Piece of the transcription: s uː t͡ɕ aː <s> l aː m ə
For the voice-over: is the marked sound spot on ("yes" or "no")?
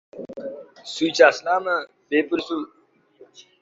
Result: yes